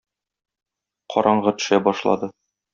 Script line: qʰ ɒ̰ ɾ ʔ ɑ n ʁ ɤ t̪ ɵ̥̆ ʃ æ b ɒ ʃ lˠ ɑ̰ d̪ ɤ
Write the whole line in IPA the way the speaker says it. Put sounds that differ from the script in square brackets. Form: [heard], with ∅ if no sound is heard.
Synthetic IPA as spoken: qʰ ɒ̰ ɾ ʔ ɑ [ɴ] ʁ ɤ t̪ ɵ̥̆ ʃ æ b ɒ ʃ lˠ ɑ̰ d̪ ɤ